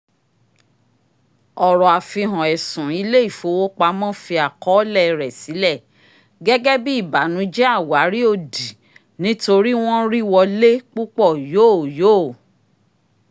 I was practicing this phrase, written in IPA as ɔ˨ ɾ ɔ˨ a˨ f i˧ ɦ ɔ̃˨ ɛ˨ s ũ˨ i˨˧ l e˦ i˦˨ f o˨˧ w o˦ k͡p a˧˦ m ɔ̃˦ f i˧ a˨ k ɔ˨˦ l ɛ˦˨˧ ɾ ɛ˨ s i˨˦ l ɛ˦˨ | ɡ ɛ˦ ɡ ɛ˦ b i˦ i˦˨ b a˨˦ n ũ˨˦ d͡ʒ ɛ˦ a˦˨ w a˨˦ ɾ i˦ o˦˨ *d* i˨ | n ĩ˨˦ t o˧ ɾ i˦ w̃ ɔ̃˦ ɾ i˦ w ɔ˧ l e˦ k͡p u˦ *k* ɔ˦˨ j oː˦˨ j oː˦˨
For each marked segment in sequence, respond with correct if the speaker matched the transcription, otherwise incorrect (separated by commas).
correct, incorrect